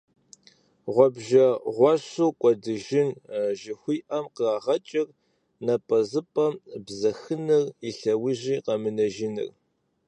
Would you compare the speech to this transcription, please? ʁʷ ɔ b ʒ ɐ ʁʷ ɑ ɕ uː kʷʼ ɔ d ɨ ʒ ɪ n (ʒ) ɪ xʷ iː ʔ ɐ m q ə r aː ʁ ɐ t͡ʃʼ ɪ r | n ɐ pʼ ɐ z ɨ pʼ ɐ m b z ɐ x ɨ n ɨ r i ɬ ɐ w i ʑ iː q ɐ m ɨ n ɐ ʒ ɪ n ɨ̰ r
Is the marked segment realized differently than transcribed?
no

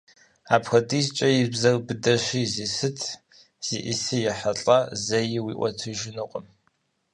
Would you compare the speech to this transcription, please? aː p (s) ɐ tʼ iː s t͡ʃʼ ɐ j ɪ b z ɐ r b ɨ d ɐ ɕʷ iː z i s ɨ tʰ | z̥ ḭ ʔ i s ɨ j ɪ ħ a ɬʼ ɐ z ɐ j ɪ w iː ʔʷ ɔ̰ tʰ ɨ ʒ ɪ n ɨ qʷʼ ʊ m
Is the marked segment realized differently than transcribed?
yes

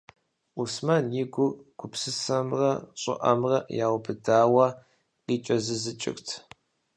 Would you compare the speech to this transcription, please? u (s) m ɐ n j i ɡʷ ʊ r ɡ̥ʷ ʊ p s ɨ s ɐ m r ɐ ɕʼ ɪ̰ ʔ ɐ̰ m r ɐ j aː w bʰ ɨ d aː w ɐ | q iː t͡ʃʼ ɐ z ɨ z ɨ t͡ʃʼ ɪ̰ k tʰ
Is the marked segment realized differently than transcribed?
no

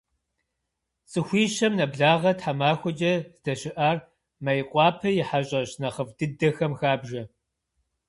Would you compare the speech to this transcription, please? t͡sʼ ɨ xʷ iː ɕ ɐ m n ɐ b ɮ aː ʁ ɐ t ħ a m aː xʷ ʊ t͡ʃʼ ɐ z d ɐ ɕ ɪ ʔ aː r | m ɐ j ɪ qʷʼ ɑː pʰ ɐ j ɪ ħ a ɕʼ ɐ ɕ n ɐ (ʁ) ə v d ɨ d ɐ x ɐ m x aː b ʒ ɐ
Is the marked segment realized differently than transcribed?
yes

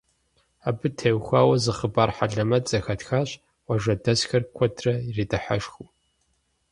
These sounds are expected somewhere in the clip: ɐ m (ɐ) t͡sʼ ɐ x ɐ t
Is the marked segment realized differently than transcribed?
no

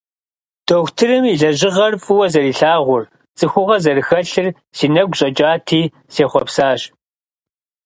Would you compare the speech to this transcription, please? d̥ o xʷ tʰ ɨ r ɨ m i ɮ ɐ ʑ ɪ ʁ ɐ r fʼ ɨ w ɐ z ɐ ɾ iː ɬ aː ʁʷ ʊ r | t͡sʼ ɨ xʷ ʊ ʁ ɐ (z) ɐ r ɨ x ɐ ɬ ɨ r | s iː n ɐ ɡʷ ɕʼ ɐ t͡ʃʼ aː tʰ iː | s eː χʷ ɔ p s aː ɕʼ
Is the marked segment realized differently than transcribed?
no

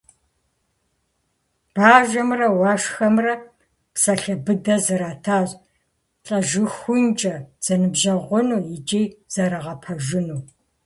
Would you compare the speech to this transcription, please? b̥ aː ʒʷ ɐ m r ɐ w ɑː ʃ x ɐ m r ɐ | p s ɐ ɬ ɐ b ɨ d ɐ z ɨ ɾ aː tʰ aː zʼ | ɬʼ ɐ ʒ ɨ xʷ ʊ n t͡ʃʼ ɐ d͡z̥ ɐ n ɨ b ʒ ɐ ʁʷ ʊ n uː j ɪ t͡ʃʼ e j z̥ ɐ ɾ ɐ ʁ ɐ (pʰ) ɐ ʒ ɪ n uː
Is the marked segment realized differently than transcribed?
no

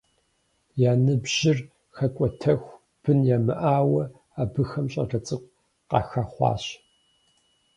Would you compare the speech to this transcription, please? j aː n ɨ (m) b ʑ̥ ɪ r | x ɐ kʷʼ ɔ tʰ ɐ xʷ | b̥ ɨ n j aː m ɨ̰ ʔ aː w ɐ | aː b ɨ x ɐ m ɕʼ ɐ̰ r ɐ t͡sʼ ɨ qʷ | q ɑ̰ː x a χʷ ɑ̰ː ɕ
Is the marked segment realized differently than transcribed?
yes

